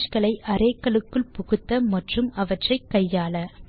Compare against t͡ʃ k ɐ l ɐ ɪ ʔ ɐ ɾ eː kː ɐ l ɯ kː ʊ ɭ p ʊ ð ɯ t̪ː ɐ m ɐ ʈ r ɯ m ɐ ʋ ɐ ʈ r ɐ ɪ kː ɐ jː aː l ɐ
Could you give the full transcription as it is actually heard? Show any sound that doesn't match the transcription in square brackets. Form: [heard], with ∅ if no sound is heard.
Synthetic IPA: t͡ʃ k ɐ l ɐ ɪ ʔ ɐ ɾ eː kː ɐ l ɯ kː [ɯ] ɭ p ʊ [ɣ] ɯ t̪ː ɐ m ɐ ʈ r ɯ m ɐ ʋ ɐ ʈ r ɐ ɪ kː ɐ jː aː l ɐ